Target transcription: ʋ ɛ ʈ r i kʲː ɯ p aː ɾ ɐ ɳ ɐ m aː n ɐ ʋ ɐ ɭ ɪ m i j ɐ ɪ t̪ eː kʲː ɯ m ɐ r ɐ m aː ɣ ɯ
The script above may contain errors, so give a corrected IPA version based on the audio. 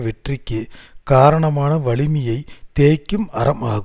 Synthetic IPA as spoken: ʋ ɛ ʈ r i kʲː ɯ k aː ɾ ɐ ɳ ɐ m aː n ɐ ʋ ɐ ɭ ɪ m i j ɐ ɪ t̪ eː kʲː ɯ m ɐ r ɐ m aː ɣ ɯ